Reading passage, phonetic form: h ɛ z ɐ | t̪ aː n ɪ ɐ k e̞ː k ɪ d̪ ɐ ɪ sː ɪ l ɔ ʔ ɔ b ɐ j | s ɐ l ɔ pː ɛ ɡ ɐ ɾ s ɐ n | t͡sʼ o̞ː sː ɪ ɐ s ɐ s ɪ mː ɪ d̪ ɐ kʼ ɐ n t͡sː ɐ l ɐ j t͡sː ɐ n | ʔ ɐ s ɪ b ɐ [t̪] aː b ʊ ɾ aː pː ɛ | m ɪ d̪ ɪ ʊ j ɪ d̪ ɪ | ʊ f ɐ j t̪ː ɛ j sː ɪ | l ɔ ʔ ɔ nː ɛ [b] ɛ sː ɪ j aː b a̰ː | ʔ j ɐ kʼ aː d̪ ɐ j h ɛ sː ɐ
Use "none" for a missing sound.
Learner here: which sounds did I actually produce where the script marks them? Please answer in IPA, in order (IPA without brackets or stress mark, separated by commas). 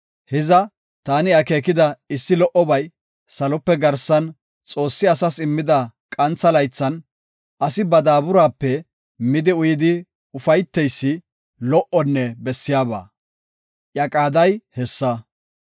d̪, b